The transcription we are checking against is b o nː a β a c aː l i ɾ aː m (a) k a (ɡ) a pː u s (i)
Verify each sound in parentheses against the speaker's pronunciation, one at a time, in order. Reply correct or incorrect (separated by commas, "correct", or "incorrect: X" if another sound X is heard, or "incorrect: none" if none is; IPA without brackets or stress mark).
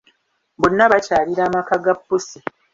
correct, correct, correct